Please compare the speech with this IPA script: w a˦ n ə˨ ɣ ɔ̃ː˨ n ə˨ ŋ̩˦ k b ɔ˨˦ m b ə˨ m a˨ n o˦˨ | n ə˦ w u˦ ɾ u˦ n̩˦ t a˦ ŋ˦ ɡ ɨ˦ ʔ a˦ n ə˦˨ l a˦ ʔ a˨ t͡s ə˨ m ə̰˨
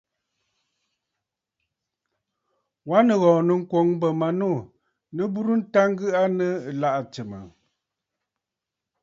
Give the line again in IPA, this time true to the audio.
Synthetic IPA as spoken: w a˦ n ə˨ ɣ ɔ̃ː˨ n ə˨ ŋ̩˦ k w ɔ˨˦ ŋ b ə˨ m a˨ n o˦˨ | n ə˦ b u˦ ɾ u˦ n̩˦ t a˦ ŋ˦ ɡ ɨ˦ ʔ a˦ n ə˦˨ l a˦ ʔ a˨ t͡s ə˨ m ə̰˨